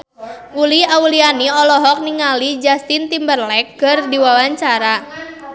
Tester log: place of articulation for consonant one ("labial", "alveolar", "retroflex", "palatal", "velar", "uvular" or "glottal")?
alveolar